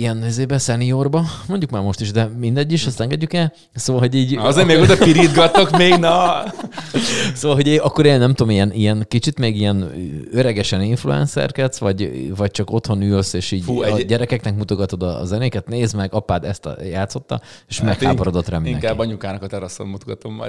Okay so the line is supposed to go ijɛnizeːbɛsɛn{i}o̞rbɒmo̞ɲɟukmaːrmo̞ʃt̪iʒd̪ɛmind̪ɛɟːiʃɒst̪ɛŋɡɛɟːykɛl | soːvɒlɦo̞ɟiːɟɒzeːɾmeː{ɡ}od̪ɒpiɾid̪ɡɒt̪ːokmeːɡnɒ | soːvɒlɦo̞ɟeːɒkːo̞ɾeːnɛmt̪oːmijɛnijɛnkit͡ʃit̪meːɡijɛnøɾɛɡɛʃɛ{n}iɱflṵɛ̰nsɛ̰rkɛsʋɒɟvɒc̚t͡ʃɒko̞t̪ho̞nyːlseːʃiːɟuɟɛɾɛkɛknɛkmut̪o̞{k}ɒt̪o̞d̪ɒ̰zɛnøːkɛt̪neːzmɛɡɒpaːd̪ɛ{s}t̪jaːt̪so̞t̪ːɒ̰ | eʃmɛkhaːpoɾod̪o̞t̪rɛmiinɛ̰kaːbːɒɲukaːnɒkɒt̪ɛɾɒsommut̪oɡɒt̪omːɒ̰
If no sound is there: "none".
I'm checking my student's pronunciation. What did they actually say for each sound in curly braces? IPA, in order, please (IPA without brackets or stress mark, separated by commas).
i, ɡ, n, ɡ, s